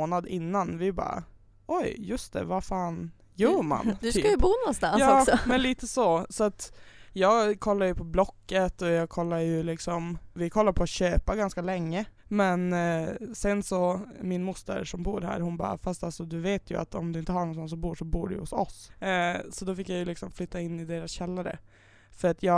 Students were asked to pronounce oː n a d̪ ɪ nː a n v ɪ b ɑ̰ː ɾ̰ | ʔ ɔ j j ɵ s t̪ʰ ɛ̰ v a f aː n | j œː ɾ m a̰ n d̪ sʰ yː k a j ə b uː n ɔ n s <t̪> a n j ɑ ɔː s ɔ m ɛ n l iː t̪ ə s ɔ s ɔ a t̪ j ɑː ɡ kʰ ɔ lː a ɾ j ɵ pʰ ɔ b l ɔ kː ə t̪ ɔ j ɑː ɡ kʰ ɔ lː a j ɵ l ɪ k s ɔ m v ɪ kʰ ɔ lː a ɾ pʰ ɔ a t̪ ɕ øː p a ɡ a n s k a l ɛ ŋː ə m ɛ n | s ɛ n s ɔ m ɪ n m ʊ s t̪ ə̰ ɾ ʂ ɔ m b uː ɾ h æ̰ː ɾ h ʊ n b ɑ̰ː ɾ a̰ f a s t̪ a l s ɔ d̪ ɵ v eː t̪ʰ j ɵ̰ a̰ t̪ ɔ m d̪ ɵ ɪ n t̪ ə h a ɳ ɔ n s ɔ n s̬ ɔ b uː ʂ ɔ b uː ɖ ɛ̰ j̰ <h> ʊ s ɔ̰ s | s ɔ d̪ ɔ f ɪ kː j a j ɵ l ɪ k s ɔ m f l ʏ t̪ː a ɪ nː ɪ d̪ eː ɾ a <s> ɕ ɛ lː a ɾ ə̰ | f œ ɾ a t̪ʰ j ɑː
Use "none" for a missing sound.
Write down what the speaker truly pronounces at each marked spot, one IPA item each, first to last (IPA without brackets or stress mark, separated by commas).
t̪, h, s